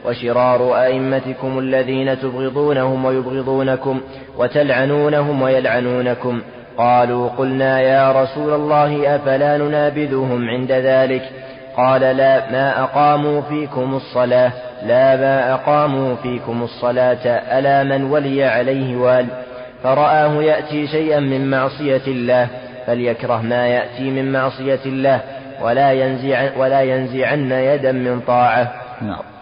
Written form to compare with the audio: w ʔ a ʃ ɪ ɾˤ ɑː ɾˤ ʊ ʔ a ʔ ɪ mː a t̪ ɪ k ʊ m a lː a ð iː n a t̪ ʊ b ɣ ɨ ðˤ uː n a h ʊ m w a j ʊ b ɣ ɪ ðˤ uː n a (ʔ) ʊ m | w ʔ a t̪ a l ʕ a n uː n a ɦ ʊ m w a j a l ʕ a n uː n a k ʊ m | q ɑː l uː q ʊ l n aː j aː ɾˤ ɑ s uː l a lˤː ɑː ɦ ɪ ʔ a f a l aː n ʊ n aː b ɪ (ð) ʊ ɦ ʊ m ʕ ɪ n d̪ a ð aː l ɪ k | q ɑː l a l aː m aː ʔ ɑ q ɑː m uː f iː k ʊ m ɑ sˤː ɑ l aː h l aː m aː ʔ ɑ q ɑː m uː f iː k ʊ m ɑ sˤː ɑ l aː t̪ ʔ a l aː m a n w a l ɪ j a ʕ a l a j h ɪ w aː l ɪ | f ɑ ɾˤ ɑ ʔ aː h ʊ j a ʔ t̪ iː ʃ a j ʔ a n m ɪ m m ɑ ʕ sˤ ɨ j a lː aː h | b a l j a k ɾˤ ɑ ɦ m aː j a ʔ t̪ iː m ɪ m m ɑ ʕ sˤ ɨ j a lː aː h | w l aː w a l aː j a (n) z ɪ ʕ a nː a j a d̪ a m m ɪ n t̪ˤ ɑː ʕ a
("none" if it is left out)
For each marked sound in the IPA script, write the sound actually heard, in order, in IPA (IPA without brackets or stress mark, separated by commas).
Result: k, ð, n